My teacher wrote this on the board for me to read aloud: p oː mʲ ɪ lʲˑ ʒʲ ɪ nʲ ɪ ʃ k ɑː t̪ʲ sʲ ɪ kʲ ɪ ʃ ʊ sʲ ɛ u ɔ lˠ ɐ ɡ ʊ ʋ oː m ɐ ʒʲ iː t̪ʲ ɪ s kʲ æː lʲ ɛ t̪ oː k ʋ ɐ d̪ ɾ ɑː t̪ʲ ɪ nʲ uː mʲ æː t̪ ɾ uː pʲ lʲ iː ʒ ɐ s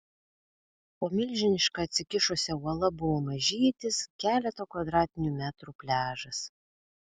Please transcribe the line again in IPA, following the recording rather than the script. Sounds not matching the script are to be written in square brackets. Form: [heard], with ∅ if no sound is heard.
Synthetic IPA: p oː mʲ ɪ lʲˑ ʒʲ ɪ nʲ ɪ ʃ k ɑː t̪ʲ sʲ ɪ kʲ ɪ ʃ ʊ sʲ ɛ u ɔ lˠ ɐ [b] ʊ ʋ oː m ɐ ʒʲ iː t̪ʲ ɪ s kʲ æː lʲ ɛ t̪ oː k ʋ ɐ d̪ ɾ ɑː t̪ʲ ɪ nʲ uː mʲ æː t̪ ɾ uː pʲ lʲ [æː] ʒ ɐ s